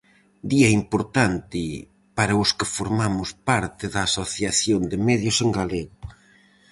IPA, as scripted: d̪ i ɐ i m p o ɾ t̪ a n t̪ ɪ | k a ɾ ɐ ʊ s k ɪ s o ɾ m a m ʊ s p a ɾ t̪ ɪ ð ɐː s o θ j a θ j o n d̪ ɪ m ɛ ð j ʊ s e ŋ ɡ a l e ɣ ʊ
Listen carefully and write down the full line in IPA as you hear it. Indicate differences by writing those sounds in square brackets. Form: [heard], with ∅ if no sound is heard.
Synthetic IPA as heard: d̪ i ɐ i m p o ɾ t̪ a n t̪ ɪ | [p] a ɾ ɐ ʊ s k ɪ [f] o ɾ m a m ʊ s p a ɾ t̪ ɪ ð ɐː s o θ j a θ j o n d̪ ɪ m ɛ ð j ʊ s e ŋ ɡ a l e ɣ ʊ